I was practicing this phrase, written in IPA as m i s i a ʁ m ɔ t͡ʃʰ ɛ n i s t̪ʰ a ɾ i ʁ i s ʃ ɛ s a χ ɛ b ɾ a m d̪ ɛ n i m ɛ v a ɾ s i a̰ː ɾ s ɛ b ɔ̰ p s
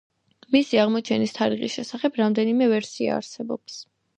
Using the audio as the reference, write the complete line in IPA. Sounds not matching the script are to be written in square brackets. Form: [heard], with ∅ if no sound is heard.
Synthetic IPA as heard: m i s i a ʁ m ɔ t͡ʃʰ ɛ n i s t̪ʰ a ɾ i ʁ i s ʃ ɛ s a χ ɛ b ɾ a m d̪ ɛ n i m ɛ v [ɛ] ɾ s i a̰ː ɾ s ɛ b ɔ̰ p s